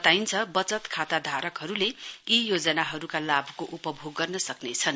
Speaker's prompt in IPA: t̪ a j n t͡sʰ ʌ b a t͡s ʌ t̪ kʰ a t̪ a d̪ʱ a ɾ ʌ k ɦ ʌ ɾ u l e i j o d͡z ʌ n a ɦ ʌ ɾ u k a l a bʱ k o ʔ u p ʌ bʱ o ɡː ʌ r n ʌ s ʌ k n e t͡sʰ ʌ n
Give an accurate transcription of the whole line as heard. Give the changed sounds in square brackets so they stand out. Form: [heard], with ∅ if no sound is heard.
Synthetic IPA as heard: t̪ a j n t͡sʰ ʌ b [ʌ] t͡s ʌ t̪ kʰ a t̪ a d̪ʱ a ɾ ʌ k ɦ ʌ ɾ u l e i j o d͡z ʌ n a ɦ ʌ ɾ u k a l a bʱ k o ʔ u p ʌ bʱ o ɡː ʌ r n ʌ s ʌ k n e t͡sʰ ʌ n